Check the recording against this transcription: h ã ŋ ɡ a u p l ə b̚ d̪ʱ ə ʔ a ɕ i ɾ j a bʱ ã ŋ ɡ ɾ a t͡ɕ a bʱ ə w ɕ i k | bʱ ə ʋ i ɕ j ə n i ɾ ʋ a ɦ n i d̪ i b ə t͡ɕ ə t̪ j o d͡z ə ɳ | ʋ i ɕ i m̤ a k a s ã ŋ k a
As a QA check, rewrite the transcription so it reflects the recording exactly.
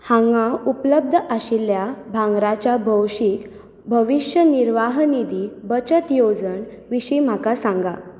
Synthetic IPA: h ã ŋ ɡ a u p l ə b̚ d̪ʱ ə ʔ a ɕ i l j a bʱ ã ŋ ɡ ɾ a t͡ɕ a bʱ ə w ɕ i k | bʱ ə ʋ i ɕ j ə n i ɾ ʋ a ɦ n i d̪ i b ə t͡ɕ ə t̪ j o d͡z ə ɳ | ʋ i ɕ i m̤ a k a s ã ŋ ɡ a